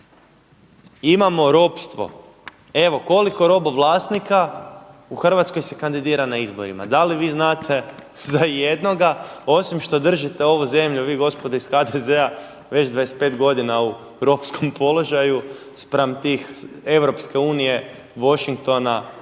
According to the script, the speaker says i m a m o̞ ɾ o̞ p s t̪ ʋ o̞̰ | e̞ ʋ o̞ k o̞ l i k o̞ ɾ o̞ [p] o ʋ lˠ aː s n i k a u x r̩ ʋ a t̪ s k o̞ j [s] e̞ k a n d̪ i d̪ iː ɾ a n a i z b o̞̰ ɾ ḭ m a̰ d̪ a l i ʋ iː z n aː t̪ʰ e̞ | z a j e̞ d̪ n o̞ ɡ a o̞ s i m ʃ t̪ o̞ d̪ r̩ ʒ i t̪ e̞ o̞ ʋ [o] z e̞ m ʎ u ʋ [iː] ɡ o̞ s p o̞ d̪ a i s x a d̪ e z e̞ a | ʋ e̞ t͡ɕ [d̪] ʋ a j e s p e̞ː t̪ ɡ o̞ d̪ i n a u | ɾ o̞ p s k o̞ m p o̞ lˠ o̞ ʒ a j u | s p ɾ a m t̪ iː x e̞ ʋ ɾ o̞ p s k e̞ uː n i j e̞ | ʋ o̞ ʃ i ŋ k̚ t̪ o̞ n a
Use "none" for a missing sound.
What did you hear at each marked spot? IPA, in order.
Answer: b, s, u, iː, d̪

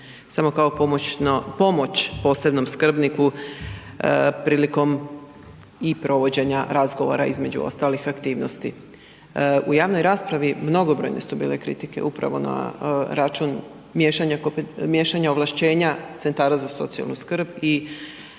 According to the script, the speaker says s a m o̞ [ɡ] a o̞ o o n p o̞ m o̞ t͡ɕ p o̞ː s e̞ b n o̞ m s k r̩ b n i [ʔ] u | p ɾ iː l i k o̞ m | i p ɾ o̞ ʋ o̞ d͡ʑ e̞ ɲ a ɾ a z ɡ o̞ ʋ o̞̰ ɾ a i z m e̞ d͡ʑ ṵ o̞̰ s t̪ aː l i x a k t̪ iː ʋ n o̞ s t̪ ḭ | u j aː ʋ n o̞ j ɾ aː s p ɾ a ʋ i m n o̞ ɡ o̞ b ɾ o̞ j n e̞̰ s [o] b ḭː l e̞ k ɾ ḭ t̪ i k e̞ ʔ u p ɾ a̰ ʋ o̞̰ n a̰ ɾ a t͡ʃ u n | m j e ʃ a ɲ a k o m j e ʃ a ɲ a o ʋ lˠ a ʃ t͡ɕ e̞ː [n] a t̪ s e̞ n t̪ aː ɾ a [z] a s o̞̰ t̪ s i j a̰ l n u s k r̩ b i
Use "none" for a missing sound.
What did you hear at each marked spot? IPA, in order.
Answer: k, k, u, ɲ, z

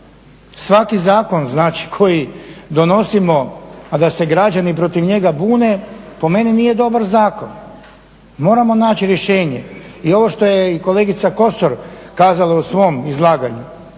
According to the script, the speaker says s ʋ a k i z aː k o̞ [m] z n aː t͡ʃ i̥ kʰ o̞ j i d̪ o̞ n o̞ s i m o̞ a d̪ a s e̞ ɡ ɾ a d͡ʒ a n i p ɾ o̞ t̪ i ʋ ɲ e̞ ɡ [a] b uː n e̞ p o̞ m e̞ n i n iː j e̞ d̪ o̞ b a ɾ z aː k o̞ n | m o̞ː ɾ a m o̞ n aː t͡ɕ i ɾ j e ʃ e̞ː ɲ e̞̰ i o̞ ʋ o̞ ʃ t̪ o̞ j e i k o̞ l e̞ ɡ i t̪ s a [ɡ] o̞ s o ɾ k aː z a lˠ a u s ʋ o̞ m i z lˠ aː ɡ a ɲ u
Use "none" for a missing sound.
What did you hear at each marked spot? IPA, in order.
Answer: n, a, k

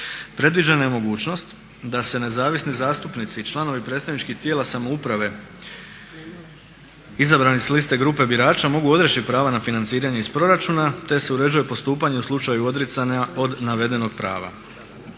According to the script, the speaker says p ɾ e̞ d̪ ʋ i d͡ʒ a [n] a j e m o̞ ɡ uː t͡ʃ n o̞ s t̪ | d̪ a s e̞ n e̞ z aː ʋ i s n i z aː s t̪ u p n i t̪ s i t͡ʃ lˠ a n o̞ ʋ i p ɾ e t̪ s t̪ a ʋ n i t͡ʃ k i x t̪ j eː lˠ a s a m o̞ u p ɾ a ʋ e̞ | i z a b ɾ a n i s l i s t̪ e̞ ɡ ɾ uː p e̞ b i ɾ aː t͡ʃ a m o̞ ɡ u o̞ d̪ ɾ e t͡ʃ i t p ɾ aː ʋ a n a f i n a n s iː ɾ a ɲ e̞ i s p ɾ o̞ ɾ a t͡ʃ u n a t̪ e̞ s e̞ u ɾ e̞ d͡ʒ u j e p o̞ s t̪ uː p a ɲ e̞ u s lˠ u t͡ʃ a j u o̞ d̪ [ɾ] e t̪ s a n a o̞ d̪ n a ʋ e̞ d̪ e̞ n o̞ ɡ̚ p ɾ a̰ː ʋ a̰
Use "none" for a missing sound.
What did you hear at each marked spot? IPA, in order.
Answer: n, ɾ

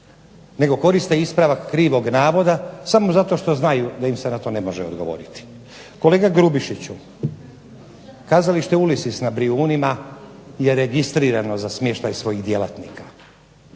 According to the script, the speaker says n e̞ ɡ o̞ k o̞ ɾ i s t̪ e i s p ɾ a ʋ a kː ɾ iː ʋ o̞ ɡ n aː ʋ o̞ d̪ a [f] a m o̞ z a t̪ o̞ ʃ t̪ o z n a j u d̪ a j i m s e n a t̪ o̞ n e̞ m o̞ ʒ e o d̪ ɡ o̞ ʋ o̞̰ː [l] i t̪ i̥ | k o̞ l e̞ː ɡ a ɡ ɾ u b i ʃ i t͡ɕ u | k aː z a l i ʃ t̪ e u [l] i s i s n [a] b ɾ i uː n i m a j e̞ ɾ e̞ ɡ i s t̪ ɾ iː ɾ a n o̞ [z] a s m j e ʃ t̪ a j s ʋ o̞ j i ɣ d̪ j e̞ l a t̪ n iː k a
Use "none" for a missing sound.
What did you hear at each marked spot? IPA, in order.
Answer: s, ɾ, l, a, z

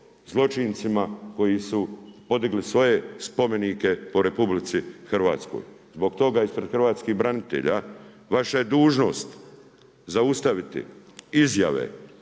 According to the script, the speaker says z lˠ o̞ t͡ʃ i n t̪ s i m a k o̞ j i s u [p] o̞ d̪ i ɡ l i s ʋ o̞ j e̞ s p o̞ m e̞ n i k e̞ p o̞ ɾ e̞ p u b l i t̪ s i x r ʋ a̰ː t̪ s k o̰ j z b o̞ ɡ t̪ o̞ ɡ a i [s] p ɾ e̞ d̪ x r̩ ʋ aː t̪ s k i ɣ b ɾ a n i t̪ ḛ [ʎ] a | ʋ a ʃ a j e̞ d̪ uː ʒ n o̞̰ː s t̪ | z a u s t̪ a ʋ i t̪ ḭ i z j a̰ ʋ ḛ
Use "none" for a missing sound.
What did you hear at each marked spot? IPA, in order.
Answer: p, s, ʎ

